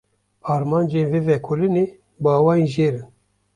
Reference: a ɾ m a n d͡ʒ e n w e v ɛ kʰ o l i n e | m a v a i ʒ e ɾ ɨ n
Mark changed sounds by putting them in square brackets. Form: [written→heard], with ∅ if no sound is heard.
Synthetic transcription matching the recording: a ɾ m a n d͡ʒ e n [w→v] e v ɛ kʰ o l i n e | [m→b] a [v→w] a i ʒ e ɾ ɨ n